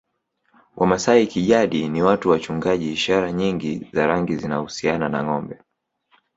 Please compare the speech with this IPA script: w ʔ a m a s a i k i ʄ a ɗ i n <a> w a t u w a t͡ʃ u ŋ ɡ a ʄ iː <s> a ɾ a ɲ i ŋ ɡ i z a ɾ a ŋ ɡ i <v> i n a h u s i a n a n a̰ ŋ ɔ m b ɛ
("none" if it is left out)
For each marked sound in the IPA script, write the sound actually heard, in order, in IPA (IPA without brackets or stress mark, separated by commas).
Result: i, ʃ, z